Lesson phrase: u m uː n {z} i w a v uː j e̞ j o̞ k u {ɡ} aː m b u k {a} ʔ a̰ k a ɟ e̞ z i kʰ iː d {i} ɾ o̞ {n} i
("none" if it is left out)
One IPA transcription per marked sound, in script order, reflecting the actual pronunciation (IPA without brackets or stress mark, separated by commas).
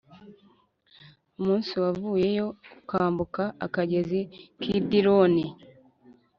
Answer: s, k, a, i, n